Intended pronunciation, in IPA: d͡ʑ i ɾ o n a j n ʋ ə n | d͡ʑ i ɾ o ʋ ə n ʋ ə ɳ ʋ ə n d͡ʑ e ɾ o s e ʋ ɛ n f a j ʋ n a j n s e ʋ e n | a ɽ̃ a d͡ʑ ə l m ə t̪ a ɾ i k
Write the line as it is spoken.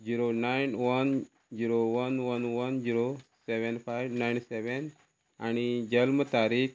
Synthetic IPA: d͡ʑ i ɾ o n a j n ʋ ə n | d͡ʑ i ɾ o ʋ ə n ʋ ə n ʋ ə n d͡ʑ i ɾ o s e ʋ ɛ n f a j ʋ n a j n s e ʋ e n | a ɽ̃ i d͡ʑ ə l m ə t̪ a ɾ i k